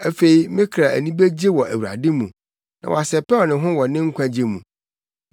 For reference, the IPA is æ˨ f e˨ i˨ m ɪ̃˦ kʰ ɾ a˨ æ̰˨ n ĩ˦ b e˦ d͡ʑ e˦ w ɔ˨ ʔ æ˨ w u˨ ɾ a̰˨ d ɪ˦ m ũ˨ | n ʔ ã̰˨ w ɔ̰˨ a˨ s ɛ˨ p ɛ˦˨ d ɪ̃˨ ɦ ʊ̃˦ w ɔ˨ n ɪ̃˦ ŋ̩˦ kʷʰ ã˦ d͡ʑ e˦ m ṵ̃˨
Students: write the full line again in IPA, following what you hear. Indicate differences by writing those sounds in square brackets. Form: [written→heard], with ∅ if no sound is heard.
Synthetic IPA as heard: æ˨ f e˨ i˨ m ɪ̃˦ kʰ ɾ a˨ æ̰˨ n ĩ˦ b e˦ d͡ʑ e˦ w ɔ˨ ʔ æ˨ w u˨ ɾ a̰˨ d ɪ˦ m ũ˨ | n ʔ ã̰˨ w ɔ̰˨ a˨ s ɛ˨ p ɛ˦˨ [d→n] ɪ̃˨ ɦ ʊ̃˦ w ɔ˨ n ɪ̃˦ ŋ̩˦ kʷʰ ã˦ d͡ʑ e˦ m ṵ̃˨